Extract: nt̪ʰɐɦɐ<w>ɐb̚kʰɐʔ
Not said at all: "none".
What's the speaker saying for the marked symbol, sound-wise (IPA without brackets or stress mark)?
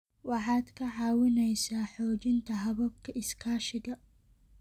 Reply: β